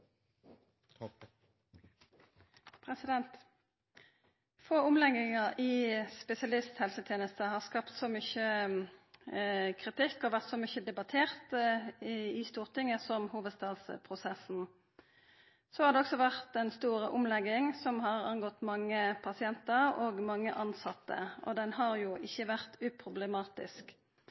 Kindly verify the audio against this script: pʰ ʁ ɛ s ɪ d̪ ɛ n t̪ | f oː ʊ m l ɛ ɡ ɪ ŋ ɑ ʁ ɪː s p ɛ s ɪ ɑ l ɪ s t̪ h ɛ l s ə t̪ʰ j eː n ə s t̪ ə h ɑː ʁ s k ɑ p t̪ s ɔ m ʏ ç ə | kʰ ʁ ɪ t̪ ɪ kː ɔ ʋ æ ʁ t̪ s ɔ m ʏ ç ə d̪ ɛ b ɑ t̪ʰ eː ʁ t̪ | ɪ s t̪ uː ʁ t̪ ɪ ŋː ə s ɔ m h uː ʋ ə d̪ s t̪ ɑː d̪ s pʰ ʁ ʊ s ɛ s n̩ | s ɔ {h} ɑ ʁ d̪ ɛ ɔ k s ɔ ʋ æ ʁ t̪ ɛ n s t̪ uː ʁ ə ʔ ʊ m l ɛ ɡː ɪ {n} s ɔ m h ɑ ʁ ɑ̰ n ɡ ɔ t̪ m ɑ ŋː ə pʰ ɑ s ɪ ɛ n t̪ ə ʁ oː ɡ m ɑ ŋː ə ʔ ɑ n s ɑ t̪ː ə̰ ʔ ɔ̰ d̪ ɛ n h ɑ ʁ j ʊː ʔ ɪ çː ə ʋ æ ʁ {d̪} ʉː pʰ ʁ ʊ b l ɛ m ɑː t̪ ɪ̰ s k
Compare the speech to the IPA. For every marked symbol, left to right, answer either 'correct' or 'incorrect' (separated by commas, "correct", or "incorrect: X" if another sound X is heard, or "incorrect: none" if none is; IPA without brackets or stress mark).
correct, incorrect: ŋ, incorrect: t̪